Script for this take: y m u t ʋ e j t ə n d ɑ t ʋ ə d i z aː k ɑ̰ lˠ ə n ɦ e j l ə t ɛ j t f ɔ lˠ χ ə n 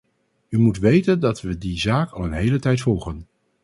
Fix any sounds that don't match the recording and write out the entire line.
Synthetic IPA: y m u t ʋ e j t ə n d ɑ t ʋ ə d i z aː k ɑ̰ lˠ ə n ɦ e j l ə t ɛ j t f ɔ lˠ χ ə n